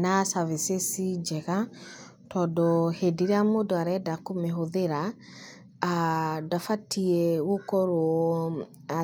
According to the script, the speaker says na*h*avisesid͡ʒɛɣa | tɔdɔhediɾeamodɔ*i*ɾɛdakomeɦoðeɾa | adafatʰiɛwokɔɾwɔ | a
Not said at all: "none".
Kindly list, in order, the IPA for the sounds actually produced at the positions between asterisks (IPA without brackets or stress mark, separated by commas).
s, a